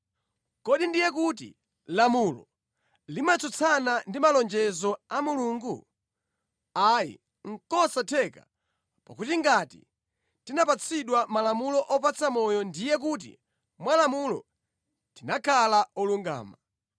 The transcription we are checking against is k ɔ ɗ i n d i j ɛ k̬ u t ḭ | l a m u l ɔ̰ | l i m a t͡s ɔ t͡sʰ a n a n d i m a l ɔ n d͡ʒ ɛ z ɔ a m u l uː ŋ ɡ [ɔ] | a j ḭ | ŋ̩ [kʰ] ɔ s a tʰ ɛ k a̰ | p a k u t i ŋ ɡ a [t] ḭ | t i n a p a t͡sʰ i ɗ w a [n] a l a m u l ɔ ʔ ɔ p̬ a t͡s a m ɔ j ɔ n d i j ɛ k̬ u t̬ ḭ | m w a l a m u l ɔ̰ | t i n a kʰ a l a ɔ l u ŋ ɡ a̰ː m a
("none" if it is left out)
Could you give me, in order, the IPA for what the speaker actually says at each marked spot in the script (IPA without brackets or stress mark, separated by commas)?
u, k, t, m